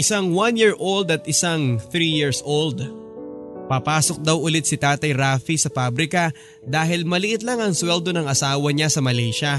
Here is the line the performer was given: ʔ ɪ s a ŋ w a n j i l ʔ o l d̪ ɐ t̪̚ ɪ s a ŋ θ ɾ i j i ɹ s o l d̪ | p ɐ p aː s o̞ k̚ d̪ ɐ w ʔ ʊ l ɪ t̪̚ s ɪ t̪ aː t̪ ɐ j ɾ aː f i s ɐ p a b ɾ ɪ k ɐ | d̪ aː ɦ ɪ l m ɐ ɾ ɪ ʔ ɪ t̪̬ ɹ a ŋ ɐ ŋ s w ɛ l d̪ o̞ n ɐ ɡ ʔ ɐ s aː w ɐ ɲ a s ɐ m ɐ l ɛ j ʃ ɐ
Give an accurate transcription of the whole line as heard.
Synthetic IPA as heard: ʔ ɪ s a ŋ w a n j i ɹ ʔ o l d̪ ɐ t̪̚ ɪ s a ŋ θ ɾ i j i ɹ s o l d̪ | p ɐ p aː s o̞ k̚ d̪ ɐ w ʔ ʊ l ɪ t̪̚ s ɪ t̪ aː t̪ ɐ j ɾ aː f i s ɐ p a b ɾ ɪ k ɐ | d̪ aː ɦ ɪ l m ɐ l ɪ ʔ ɪ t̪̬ l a ŋ ɐ ŋ s w ɛ l d̪ o̞ n ɐ ŋ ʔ ɐ s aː w ɐ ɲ a s ɐ m ɐ l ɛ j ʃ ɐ